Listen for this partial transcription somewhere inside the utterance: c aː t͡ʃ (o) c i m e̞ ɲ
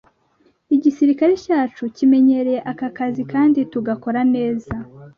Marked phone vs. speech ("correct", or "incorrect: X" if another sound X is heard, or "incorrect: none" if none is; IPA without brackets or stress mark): incorrect: u